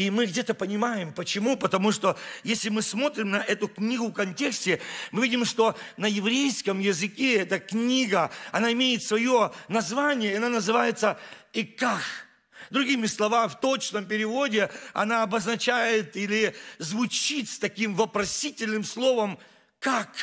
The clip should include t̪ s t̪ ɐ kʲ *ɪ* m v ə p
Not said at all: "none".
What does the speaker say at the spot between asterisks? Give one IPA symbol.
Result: i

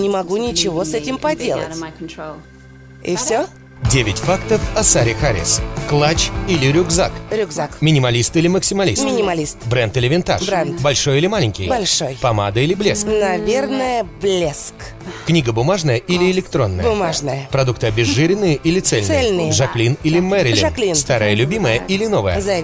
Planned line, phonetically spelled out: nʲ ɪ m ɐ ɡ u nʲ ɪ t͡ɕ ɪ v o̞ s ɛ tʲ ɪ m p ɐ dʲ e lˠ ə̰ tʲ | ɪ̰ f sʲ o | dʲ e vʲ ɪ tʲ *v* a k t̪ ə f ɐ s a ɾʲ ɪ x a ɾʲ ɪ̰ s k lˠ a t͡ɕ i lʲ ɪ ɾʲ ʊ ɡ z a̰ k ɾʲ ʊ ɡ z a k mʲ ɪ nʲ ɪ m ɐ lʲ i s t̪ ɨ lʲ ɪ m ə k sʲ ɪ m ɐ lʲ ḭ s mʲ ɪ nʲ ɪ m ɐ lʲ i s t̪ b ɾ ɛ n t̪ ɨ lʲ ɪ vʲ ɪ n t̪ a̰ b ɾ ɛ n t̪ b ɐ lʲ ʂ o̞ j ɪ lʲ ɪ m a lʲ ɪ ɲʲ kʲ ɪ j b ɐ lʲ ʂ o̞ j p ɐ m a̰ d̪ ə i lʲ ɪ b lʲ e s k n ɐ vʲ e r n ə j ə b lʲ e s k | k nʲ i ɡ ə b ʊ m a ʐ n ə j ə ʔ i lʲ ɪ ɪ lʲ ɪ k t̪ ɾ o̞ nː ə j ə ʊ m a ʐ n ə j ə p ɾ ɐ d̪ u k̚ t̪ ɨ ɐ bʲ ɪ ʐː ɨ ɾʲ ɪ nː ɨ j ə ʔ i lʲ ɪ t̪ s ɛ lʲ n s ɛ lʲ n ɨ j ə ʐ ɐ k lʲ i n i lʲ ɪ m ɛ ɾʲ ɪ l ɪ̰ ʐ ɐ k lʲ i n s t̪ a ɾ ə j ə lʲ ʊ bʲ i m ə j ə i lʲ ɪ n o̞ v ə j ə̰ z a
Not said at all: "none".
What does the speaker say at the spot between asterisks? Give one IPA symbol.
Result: f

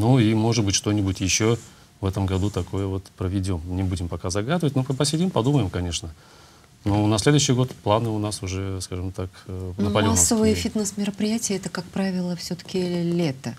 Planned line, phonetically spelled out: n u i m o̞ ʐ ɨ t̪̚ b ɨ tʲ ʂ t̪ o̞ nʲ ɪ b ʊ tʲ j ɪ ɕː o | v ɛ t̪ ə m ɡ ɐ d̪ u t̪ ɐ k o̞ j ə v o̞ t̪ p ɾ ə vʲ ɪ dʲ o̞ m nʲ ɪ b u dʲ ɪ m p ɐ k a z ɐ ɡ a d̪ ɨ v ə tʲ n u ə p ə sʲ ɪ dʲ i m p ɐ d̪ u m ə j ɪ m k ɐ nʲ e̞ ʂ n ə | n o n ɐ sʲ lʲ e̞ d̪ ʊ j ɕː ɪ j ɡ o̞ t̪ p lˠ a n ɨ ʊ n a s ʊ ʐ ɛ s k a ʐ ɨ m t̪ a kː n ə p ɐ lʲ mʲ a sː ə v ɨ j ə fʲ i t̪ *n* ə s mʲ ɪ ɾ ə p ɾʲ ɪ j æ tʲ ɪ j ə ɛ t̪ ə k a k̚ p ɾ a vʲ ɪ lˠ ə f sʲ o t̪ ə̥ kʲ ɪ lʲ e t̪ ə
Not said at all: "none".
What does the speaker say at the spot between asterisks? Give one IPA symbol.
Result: n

